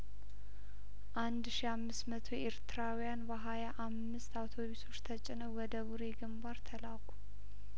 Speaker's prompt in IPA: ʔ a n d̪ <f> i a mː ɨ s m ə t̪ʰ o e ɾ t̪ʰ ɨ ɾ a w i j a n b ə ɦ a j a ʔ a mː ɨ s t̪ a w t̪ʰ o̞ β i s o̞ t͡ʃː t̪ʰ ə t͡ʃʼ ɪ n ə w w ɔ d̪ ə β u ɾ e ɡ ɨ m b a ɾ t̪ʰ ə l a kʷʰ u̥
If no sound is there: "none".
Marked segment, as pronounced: ʃ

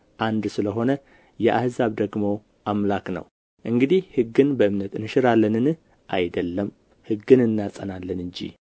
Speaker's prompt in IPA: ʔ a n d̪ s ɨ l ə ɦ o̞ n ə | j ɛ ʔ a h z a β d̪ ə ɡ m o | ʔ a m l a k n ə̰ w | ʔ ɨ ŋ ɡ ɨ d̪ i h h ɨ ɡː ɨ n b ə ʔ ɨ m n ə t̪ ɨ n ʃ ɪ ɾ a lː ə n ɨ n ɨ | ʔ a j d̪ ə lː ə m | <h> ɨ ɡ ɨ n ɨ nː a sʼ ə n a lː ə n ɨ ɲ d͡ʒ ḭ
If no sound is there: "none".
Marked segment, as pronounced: h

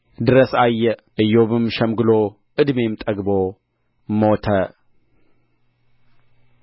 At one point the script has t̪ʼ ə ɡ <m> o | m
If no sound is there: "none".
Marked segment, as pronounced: b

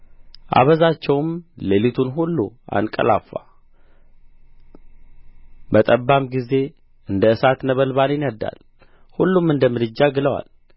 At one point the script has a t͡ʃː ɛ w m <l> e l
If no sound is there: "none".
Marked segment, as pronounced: l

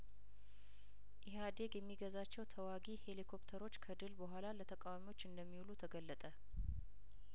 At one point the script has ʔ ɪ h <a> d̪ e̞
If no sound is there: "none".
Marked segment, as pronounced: a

